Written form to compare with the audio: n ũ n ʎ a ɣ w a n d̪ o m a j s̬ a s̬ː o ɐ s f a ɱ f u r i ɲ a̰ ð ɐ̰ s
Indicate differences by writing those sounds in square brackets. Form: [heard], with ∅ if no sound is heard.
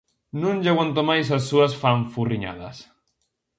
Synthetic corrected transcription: n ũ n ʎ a ɣ w a n [t̪] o m a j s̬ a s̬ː [u] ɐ s f a ɱ f u r i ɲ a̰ ð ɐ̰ s